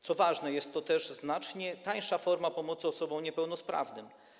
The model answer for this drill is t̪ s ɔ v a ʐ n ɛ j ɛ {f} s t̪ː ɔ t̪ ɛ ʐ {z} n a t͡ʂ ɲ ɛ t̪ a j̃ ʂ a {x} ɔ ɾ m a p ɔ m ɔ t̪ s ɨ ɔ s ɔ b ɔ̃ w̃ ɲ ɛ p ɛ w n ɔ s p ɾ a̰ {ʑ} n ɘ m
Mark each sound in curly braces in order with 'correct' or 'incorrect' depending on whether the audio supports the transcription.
incorrect: none, correct, incorrect: f, incorrect: v

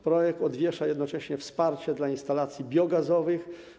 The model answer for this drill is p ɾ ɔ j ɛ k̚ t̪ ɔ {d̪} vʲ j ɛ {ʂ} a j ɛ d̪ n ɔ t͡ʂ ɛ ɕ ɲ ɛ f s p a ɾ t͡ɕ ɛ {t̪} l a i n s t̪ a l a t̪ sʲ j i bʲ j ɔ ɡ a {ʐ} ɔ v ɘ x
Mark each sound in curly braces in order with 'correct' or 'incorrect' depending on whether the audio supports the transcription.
correct, correct, incorrect: d̪, incorrect: z

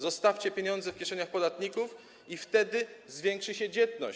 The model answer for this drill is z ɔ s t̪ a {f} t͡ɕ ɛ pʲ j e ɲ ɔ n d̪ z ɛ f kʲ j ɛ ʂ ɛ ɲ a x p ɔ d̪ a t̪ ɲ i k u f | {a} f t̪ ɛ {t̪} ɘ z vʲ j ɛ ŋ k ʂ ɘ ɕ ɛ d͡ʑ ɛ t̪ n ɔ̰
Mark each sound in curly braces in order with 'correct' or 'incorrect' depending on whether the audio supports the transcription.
correct, incorrect: i, incorrect: d̪

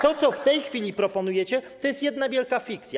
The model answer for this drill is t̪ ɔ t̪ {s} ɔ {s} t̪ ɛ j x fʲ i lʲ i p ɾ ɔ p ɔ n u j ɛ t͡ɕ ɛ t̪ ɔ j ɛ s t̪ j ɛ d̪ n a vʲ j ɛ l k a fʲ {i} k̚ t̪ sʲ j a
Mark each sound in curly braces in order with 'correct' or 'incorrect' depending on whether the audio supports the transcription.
correct, incorrect: f, correct

